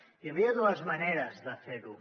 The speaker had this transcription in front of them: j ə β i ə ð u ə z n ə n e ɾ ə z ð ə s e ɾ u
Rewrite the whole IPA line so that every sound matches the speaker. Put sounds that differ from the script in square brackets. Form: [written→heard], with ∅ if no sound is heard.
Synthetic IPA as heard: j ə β i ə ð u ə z [n→m] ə n e ɾ ə z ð ə [s→f] e ɾ u